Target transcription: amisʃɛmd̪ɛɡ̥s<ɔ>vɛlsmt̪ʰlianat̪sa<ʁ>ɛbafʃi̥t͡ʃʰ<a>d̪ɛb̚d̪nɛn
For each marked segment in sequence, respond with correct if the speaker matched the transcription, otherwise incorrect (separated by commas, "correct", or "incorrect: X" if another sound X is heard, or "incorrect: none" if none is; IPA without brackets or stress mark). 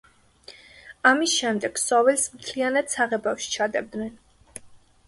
correct, correct, correct